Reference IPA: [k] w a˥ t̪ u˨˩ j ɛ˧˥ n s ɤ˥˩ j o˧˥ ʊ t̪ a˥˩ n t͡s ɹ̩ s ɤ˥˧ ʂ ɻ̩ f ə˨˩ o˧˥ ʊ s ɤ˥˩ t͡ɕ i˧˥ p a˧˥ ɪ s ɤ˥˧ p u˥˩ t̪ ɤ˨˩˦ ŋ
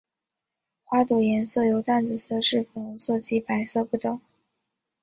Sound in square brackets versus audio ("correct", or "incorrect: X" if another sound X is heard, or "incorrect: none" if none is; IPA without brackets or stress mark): incorrect: x